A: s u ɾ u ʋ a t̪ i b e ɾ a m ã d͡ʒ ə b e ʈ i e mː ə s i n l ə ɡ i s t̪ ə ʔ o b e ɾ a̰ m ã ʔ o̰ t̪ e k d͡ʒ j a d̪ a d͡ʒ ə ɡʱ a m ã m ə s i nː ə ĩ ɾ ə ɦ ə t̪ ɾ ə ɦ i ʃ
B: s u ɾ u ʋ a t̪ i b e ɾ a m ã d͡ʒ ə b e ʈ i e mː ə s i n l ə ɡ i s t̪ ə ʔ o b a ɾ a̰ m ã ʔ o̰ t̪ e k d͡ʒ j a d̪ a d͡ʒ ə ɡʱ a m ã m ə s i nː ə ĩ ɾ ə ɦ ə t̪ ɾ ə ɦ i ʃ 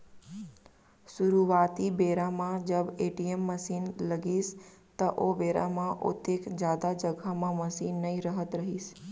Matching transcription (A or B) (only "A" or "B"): A